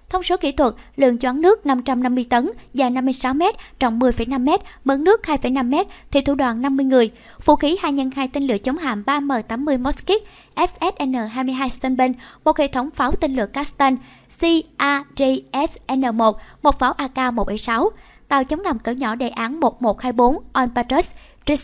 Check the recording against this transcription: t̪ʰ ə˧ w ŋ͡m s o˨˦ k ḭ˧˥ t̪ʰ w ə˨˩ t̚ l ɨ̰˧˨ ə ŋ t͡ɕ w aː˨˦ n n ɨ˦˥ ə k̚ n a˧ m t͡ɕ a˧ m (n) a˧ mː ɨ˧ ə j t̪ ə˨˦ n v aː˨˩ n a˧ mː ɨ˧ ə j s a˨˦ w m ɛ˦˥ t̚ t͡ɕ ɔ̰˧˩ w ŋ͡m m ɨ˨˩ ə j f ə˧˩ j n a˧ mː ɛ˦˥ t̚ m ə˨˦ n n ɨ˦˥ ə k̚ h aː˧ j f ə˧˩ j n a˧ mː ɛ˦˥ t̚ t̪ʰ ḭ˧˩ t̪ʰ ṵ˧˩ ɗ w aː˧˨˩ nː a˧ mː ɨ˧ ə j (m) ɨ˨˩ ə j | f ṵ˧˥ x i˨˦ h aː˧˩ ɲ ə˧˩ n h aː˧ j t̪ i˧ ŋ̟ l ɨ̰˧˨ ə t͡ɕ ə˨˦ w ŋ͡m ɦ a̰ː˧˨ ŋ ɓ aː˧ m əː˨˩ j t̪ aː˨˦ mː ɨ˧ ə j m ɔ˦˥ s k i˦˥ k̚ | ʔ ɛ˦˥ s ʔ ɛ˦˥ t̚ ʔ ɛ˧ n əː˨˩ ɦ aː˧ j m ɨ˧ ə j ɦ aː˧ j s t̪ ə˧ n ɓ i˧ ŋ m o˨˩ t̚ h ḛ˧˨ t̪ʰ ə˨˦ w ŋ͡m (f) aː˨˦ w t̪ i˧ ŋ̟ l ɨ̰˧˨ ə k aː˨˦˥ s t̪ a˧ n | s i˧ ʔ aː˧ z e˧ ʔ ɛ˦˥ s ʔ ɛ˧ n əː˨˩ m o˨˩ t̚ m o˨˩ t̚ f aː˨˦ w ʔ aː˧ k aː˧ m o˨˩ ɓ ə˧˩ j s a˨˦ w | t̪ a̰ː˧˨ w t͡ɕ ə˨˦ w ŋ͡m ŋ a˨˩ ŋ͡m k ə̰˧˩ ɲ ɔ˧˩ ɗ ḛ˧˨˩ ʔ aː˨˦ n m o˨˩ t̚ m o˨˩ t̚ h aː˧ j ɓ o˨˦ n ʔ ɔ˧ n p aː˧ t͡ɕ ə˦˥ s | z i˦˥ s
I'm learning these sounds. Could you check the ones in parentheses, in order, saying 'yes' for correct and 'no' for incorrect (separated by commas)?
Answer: yes, no, yes